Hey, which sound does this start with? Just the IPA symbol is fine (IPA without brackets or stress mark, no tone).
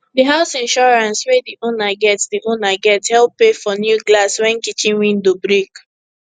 d